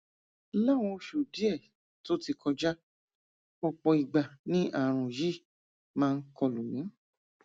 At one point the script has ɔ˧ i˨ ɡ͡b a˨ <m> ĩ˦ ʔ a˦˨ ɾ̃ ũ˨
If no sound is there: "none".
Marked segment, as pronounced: n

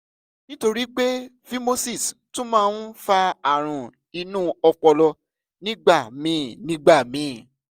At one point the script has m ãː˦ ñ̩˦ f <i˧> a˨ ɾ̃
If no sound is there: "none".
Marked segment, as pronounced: a˧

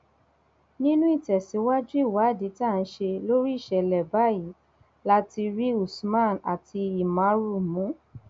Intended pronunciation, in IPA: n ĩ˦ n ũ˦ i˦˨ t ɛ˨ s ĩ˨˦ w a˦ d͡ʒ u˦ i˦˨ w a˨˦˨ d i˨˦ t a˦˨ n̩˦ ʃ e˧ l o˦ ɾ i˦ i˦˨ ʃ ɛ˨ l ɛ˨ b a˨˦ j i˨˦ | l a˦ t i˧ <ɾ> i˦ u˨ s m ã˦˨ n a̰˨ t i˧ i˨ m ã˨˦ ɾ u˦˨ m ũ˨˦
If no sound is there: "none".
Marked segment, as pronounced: ɾ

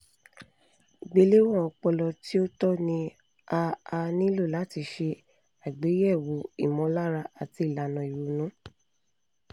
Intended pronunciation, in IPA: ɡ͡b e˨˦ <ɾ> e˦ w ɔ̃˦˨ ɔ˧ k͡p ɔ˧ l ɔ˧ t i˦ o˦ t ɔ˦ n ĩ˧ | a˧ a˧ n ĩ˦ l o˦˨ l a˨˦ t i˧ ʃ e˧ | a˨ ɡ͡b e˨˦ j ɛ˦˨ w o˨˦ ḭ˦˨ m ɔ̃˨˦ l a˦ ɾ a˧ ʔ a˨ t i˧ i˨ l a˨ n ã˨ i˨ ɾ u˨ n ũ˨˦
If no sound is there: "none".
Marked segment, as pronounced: l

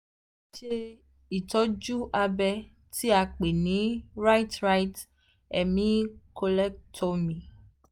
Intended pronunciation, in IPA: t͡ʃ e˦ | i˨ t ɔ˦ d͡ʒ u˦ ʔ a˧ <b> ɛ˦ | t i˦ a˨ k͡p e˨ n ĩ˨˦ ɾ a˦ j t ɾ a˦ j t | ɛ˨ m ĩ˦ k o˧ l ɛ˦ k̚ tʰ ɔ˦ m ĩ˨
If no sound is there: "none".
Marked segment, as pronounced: b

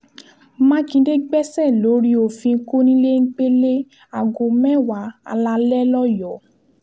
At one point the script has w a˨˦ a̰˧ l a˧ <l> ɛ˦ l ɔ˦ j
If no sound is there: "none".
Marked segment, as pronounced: l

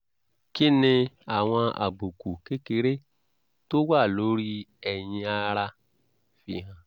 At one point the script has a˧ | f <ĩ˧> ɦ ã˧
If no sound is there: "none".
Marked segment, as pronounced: i˧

